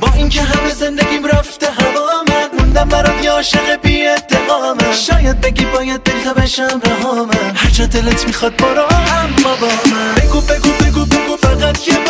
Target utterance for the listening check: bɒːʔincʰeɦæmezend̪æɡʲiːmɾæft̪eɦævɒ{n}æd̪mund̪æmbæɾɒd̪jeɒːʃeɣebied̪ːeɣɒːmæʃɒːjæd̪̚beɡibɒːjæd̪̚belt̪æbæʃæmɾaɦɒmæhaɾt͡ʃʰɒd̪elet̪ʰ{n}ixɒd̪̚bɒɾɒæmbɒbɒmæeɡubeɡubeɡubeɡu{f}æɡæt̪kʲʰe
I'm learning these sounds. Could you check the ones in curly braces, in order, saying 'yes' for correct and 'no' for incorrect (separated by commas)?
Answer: no, no, yes